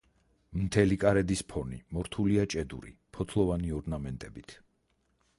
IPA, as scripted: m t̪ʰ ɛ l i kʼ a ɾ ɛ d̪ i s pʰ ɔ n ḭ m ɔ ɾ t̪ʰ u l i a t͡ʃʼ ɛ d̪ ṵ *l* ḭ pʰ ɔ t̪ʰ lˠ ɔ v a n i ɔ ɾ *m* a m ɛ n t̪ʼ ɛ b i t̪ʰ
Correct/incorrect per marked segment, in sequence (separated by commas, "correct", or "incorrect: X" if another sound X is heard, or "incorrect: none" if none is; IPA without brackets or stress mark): incorrect: ɾ, incorrect: n